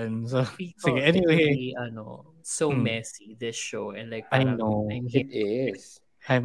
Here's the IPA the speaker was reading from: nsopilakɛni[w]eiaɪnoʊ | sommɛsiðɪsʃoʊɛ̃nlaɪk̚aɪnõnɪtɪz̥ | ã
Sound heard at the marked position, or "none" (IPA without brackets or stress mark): w